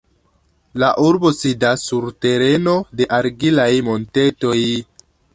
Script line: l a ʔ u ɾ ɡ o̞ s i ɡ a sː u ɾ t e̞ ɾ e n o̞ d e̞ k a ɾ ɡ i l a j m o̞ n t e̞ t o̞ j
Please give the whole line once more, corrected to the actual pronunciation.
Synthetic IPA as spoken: l a ʔ u ɾ b o̞ s i d a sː u ɾ t e̞ ɾ e n o̞ d e̞ ʔ a ɾ ɡ i l a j m o̞ n t e̞ t o̞ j